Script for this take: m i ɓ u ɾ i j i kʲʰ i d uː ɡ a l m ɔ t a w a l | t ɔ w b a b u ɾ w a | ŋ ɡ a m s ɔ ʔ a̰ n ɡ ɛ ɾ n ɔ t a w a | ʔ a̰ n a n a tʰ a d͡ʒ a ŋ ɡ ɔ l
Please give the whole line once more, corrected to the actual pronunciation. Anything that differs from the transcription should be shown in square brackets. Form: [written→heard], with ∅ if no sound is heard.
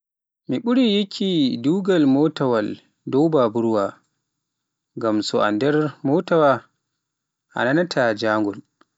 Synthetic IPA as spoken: m i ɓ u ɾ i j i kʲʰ i d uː ɡ a l m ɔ t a w a l | [t→d] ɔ w b a b u ɾ w a | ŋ ɡ a m s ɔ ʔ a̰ n [ɡ→d] ɛ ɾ [n→m] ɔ t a w a | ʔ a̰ n a n a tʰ a d͡ʒ a ŋ ɡ ɔ l